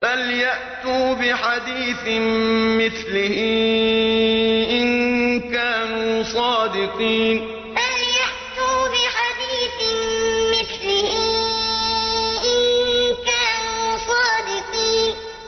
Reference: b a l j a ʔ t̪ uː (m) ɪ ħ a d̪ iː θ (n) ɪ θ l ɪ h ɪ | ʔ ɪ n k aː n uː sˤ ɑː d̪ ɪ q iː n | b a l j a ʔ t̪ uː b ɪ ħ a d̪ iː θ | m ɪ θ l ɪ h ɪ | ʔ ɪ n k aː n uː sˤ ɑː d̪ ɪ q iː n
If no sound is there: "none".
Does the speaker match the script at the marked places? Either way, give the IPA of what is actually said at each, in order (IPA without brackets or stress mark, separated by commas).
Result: b, m